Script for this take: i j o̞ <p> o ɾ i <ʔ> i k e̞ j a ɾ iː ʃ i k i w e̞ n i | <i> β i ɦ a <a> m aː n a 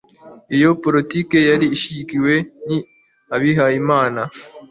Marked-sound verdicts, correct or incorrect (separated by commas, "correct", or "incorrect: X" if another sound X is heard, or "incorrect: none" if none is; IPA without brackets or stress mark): correct, incorrect: t, incorrect: a, incorrect: i